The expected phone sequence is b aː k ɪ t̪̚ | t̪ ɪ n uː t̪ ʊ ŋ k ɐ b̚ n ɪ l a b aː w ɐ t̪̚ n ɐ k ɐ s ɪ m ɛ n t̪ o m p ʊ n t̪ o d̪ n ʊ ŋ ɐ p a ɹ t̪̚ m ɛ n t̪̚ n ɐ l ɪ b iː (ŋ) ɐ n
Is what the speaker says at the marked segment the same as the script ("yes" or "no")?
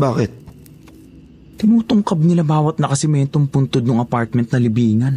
yes